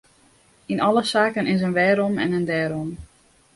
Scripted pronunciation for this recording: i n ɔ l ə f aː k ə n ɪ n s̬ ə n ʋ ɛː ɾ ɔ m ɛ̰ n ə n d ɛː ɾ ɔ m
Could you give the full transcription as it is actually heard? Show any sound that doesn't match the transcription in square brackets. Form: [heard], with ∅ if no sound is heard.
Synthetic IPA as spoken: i n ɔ l ə [s] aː k ə n ɪ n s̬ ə n ʋ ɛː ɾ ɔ m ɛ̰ n ə n d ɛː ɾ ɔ m